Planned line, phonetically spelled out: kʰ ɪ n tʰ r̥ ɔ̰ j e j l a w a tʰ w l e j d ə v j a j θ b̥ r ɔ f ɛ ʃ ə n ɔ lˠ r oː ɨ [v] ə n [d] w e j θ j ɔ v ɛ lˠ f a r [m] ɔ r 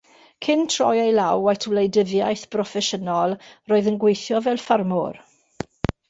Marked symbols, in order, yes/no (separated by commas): no, no, yes